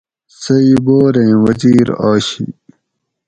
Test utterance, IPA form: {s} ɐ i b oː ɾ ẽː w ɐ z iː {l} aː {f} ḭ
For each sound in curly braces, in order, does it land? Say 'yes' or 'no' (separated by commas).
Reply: yes, no, no